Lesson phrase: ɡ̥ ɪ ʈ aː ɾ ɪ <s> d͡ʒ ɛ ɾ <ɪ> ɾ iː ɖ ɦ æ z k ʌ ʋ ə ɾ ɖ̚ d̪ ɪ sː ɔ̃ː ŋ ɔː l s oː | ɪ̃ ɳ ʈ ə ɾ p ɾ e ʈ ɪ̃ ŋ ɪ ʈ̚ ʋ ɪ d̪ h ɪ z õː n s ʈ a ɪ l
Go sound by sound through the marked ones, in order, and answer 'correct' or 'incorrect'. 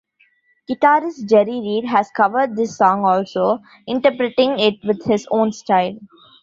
correct, incorrect

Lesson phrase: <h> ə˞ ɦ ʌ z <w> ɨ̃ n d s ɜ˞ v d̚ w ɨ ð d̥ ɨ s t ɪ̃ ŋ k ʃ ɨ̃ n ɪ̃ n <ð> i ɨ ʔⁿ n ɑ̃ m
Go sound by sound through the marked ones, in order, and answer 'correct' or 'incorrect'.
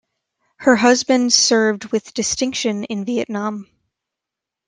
correct, incorrect, incorrect

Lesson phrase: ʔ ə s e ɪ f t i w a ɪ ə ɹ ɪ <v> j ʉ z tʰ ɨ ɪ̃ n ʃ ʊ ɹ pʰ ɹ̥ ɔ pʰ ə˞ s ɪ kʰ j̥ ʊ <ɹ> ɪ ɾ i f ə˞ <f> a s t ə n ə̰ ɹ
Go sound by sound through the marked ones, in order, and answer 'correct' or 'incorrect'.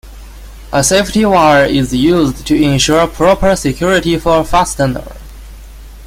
incorrect, correct, correct

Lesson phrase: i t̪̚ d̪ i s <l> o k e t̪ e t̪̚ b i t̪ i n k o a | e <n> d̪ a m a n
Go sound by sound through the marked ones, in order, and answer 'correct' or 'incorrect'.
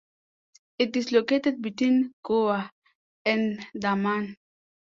correct, correct

